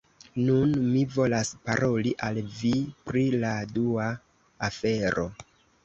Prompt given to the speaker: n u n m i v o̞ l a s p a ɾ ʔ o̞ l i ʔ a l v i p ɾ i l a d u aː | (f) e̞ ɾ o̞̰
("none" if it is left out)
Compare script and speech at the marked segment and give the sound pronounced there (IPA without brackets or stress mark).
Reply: f